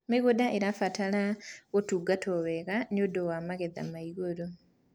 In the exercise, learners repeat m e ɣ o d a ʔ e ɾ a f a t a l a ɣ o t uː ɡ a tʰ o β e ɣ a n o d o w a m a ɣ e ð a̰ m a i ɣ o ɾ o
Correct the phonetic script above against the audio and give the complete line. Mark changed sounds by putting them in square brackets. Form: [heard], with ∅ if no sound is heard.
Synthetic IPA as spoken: m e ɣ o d a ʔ e ɾ a f a t a l a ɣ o t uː ɡ a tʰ o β e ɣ a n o d o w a m a ɣ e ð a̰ m a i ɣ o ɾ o